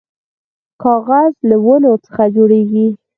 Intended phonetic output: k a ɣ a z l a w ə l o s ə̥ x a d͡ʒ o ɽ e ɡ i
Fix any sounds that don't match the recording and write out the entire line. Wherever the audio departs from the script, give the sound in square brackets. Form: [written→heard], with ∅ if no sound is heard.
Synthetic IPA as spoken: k [a→ɑ] ɣ a z l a w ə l o [s→t͡s] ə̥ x a d͡ʒ o ɽ e ɡ i